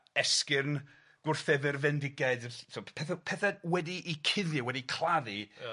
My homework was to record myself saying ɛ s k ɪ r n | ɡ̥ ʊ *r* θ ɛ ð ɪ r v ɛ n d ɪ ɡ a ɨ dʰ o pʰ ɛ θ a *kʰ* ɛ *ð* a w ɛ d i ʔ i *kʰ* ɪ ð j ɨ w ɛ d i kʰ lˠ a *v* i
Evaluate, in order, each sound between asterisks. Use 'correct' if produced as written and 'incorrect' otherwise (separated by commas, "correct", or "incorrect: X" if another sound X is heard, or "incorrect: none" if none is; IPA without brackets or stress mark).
correct, incorrect: pʰ, incorrect: θ, correct, incorrect: ð